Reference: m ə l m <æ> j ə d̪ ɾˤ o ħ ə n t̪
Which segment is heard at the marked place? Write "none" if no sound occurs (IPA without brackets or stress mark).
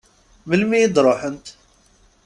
i